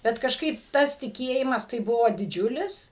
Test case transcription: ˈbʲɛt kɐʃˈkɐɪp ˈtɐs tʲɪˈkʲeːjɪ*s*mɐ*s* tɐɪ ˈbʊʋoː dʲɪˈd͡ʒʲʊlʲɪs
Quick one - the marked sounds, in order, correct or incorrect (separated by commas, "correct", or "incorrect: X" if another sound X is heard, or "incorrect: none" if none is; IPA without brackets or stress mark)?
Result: incorrect: none, correct